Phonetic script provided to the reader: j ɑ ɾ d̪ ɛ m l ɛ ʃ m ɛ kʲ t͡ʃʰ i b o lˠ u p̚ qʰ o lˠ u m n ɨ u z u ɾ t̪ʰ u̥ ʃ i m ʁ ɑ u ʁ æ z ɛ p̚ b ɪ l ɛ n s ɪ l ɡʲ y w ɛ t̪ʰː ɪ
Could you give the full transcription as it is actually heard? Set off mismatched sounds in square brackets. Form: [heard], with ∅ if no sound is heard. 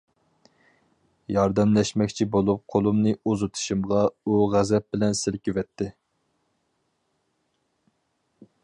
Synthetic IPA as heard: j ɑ ɾ d̪ ɛ m l ɛ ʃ m ɛ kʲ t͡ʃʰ i b o lˠ u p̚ qʰ o lˠ u m n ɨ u z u [∅] t̪ʰ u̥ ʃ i m ʁ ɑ u ʁ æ z ɛ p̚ b ɪ l ɛ n s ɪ l [kʲ] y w ɛ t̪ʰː ɪ